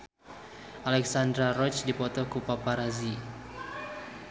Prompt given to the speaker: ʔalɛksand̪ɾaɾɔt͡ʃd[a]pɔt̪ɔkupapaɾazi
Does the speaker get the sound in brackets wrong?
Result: yes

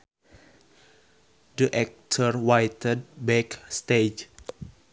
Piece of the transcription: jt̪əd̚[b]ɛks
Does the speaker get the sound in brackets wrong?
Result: no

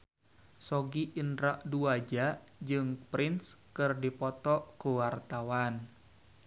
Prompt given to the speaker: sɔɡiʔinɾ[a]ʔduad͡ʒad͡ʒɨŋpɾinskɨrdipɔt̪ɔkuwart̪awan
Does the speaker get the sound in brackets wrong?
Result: no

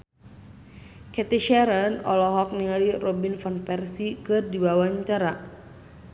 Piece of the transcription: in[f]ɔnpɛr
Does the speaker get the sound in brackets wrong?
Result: no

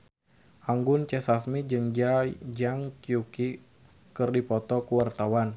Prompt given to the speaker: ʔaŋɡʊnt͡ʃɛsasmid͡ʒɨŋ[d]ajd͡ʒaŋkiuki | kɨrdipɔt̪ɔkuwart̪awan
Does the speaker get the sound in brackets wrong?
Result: yes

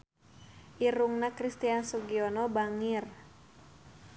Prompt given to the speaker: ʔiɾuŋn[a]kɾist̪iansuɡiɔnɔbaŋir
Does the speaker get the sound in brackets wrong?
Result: no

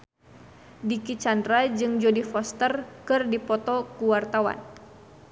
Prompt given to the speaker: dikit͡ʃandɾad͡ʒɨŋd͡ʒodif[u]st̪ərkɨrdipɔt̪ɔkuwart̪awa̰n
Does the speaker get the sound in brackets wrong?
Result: yes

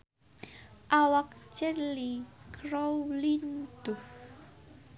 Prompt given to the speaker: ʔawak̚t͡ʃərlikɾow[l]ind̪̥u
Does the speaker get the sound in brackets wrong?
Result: no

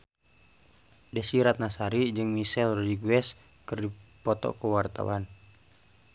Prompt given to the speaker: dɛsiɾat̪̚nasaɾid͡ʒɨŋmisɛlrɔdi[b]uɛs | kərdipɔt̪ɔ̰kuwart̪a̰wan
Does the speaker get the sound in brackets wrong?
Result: yes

